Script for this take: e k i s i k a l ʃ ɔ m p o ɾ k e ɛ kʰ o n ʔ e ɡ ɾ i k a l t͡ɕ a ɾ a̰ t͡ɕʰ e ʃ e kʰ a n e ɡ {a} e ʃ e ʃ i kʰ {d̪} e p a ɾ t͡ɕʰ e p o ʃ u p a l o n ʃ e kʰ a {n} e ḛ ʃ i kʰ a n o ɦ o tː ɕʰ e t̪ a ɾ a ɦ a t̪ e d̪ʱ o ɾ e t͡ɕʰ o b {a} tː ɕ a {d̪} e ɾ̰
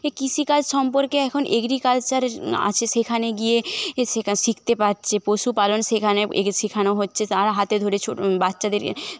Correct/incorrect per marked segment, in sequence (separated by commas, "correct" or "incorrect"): incorrect, incorrect, correct, correct, correct